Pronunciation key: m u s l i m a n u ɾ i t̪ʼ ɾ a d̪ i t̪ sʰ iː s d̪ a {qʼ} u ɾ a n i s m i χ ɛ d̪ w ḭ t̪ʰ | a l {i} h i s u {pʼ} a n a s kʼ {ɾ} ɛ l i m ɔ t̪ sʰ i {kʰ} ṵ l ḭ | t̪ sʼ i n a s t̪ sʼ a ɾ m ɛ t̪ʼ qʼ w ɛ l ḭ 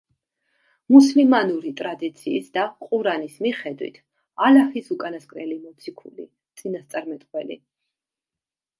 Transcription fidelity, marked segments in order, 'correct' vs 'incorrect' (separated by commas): correct, incorrect, incorrect, correct, correct